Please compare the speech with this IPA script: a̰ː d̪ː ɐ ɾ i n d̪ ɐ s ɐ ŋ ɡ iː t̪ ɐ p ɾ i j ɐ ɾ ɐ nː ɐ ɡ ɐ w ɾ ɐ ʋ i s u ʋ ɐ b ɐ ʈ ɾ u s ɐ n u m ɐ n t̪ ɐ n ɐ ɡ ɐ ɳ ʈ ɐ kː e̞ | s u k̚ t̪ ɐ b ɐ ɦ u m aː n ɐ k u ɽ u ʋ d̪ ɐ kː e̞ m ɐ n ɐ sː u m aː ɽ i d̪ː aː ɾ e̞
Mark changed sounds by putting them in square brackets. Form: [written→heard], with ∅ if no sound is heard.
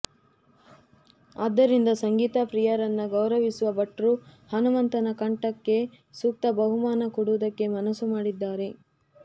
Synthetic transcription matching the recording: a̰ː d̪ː ɐ ɾ i n d̪ ɐ s ɐ ŋ ɡ iː t̪ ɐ p ɾ i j ɐ ɾ ɐ nː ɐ ɡ ɐ w ɾ ɐ ʋ i s u ʋ ɐ b ɐ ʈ ɾ u [s→h] ɐ n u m ɐ n t̪ ɐ n ɐ [ɡ→k] ɐ ɳ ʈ ɐ kː e̞ | s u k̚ t̪ ɐ b ɐ ɦ u m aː n ɐ k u ɽ u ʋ d̪ ɐ kː e̞ m ɐ n ɐ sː u m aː ɽ i d̪ː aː ɾ e̞

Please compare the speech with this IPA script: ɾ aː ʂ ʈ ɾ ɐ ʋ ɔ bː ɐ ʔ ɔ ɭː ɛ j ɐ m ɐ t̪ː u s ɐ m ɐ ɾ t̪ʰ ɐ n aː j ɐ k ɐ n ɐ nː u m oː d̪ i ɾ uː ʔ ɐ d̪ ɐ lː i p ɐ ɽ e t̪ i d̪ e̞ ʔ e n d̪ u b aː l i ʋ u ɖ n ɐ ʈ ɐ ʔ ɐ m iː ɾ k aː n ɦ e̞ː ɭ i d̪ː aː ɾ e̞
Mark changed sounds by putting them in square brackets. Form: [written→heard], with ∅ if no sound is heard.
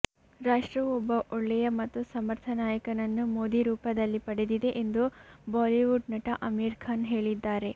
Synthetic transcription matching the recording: ɾ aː ʂ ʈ ɾ ɐ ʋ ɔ bː ɐ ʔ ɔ ɭː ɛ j ɐ m ɐ t̪ː u s ɐ m ɐ ɾ t̪ʰ ɐ n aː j ɐ k ɐ n ɐ nː u m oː d̪ i ɾ uː [ʔ→p] ɐ d̪ ɐ lː i p ɐ ɽ e [t̪→d̪] i d̪ e̞ ʔ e n d̪ u b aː l i ʋ u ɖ n ɐ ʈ ɐ ʔ ɐ m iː ɾ [k→kʰ] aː n ɦ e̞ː ɭ i d̪ː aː ɾ e̞

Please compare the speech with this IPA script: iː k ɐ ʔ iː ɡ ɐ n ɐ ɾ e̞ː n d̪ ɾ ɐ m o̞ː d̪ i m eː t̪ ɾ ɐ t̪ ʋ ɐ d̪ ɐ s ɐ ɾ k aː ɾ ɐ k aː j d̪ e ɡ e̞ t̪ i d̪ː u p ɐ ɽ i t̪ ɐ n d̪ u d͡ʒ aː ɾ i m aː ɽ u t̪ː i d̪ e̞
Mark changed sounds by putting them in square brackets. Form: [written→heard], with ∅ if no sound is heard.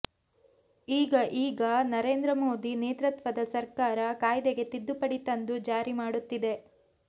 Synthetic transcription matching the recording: iː [k→ɡ] ɐ ʔ iː ɡ ɐ n ɐ ɾ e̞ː n d̪ ɾ ɐ m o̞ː d̪ i [m→n] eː t̪ ɾ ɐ t̪ ʋ ɐ d̪ ɐ s ɐ ɾ k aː ɾ ɐ k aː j d̪ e ɡ e̞ t̪ i d̪ː u p ɐ ɽ i t̪ ɐ n d̪ u d͡ʒ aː ɾ i m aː ɽ u t̪ː i d̪ e̞

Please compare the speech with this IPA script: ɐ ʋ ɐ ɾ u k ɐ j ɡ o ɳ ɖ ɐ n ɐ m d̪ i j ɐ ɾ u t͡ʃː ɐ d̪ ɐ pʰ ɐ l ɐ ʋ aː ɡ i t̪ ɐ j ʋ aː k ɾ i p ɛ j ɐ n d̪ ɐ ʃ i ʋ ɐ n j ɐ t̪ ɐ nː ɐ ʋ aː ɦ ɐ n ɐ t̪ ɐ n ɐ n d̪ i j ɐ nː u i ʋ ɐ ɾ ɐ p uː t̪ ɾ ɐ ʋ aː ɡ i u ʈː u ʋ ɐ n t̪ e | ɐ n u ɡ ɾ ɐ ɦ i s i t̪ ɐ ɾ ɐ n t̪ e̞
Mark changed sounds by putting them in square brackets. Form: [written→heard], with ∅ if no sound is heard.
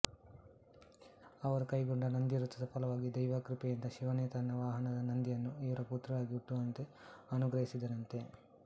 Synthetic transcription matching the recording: ɐ ʋ ɐ ɾ u k ɐ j ɡ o ɳ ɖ ɐ n ɐ [m→n] d̪ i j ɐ ɾ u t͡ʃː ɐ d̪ ɐ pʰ ɐ l ɐ ʋ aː ɡ i [t̪→d̪] ɐ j ʋ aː k ɾ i p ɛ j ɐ n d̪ ɐ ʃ i ʋ ɐ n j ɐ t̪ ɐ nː ɐ ʋ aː ɦ ɐ n ɐ [t̪→d̪] ɐ n ɐ n d̪ i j ɐ nː u i ʋ ɐ ɾ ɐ p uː t̪ ɾ ɐ ʋ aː ɡ i u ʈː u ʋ ɐ n t̪ e | ɐ n u ɡ ɾ ɐ ɦ i s i [t̪→d̪] ɐ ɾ ɐ n t̪ e̞

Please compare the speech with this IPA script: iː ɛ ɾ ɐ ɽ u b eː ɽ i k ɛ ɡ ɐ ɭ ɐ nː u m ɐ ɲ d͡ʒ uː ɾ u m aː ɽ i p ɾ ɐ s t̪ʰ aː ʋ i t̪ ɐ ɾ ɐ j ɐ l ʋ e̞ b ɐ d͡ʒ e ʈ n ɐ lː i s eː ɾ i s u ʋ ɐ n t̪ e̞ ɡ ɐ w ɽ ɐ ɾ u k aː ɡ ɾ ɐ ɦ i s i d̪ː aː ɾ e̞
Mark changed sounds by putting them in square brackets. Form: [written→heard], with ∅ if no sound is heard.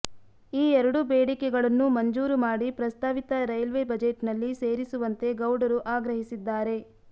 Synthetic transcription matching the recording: iː ɛ ɾ ɐ ɽ u b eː ɽ i k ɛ ɡ ɐ ɭ ɐ nː u m ɐ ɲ d͡ʒ uː ɾ u m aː ɽ i p ɾ ɐ s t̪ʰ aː ʋ i t̪ ɐ ɾ ɐ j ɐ l ʋ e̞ b ɐ d͡ʒ e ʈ n ɐ lː i s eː ɾ i s u ʋ ɐ n t̪ e̞ ɡ ɐ w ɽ ɐ ɾ u [k→ʔ] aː ɡ ɾ ɐ ɦ i s i d̪ː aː ɾ e̞

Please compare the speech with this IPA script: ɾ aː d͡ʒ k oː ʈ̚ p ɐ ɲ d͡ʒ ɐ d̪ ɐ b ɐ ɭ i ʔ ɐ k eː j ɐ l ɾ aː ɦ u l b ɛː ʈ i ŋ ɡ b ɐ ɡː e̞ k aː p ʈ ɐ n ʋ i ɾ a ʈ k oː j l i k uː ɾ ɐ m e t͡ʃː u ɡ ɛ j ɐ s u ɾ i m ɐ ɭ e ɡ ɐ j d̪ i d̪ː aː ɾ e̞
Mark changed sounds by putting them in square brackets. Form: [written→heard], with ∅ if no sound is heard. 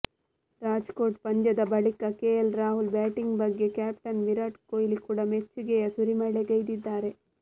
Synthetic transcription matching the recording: ɾ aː d͡ʒ k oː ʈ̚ p ɐ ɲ d͡ʒ ɐ d̪ ɐ b ɐ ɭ i [ʔ→k] ɐ k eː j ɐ l ɾ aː ɦ u l b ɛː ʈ i ŋ ɡ b ɐ ɡː e̞ k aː p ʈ ɐ n ʋ i ɾ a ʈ k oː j l i k uː [ɾ→ɽ] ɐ m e t͡ʃː u ɡ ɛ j ɐ s u ɾ i m ɐ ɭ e ɡ ɐ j d̪ i d̪ː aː ɾ e̞

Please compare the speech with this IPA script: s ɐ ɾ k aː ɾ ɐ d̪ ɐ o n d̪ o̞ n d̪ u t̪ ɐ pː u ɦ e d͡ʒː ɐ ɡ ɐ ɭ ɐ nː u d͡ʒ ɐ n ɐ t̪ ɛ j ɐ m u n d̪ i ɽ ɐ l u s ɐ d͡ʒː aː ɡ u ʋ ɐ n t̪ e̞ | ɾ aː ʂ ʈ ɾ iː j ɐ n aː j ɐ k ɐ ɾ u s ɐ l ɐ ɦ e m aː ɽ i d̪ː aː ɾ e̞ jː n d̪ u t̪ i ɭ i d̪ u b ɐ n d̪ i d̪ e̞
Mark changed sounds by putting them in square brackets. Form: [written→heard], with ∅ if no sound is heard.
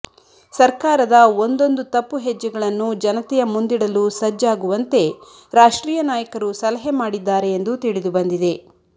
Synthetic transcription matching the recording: s ɐ ɾ k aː ɾ ɐ d̪ ɐ o n d̪ o̞ n d̪ u t̪ ɐ pː u ɦ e d͡ʒː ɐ ɡ ɐ ɭ ɐ nː u d͡ʒ ɐ n ɐ t̪ ɛ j ɐ m u n d̪ i ɽ ɐ l u s ɐ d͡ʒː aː ɡ u ʋ ɐ n t̪ e̞ | ɾ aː ʂ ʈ ɾ iː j ɐ n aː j ɐ k ɐ ɾ u s ɐ l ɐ ɦ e m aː ɽ i d̪ː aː ɾ e̞ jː n d̪ u t̪ i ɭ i d̪ u b ɐ n d̪ i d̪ e̞

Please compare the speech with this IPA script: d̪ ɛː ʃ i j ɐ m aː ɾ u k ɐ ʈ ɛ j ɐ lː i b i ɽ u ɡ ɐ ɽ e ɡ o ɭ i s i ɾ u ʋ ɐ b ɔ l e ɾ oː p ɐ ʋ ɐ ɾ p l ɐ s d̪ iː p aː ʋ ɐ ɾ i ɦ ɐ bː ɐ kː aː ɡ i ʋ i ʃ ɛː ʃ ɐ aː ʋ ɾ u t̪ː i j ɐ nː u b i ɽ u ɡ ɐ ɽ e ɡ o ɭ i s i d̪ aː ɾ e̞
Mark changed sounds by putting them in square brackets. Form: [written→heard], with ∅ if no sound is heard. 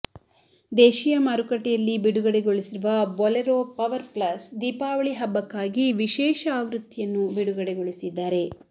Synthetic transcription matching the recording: d̪ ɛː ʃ i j ɐ m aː ɾ u k ɐ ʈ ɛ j ɐ lː i b i ɽ u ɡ ɐ ɽ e ɡ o ɭ i s i ɾ u ʋ ɐ b ɔ l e ɾ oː p ɐ ʋ ɐ ɾ p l ɐ s d̪ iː p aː ʋ ɐ [ɾ→ɭ] i ɦ ɐ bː ɐ kː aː ɡ i ʋ i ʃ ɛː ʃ ɐ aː ʋ ɾ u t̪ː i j ɐ nː u b i ɽ u ɡ ɐ ɽ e ɡ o ɭ i s i [d̪→d̪ː] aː ɾ e̞

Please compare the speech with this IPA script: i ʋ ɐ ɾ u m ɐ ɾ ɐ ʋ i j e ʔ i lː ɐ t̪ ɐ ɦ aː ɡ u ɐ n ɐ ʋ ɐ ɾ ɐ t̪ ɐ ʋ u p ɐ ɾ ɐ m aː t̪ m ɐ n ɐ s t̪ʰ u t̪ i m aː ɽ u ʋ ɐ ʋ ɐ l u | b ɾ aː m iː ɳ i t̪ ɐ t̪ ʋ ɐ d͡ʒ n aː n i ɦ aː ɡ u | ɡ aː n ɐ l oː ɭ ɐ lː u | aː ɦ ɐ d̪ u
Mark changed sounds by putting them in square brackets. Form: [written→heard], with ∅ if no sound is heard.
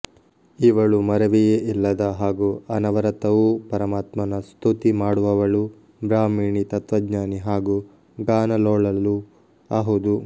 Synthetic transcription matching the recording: i ʋ ɐ [ɾ→ɭ] u m ɐ ɾ ɐ ʋ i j e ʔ i lː ɐ [t̪→d̪] ɐ ɦ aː ɡ u ɐ n ɐ ʋ ɐ ɾ ɐ t̪ ɐ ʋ u p ɐ ɾ ɐ m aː t̪ m ɐ n ɐ s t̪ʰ u t̪ i m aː ɽ u ʋ ɐ ʋ ɐ [l→ɭ] u | b ɾ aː m iː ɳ i t̪ ɐ t̪ ʋ ɐ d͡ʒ [n→ɲ] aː n i ɦ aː ɡ u | ɡ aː n ɐ l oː ɭ ɐ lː u | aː ɦ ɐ d̪ u

